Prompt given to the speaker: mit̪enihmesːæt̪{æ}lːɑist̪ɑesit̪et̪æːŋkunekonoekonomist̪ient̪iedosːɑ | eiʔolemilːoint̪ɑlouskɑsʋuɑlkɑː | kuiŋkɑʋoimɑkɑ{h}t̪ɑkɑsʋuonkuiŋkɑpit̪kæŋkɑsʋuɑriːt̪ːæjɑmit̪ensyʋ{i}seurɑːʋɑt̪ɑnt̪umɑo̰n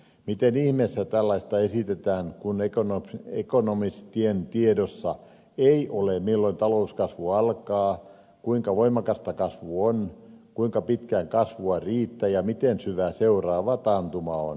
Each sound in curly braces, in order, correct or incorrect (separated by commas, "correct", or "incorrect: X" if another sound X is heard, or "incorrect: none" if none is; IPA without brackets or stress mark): correct, incorrect: s, incorrect: æ